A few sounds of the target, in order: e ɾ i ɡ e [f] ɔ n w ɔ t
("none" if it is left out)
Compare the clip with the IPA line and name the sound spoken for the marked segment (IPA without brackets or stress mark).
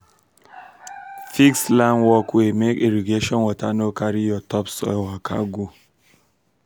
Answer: ʃ